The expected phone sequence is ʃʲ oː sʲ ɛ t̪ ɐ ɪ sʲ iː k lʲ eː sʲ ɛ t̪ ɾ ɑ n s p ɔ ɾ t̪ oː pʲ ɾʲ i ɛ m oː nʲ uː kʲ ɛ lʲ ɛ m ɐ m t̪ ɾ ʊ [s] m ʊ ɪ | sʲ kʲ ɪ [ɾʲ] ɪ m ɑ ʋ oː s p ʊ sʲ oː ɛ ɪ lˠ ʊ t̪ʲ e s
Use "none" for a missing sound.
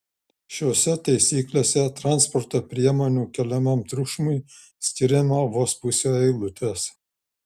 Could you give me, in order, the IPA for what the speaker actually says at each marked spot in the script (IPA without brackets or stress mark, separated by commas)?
ʃ, ɾʲ